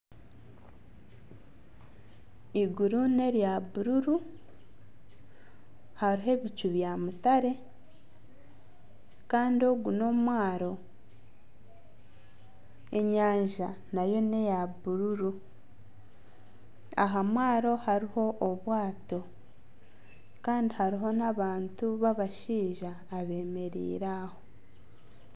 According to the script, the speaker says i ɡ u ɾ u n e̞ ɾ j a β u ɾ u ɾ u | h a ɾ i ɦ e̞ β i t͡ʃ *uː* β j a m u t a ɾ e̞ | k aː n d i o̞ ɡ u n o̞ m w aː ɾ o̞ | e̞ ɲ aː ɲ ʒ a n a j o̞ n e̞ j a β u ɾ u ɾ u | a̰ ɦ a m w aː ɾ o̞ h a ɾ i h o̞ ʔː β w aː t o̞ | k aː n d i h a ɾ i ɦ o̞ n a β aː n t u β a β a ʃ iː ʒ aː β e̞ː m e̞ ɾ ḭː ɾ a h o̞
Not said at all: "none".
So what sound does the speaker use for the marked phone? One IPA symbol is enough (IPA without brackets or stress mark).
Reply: u